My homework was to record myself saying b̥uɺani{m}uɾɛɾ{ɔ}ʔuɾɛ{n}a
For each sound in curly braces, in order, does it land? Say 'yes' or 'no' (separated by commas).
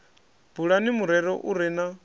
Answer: yes, yes, yes